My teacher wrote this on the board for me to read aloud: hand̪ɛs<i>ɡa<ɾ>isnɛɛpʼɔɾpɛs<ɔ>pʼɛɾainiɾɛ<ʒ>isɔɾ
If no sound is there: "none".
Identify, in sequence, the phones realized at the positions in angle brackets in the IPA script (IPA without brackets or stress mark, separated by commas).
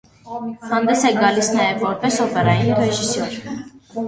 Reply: ɛ, l, ɔ, ʒ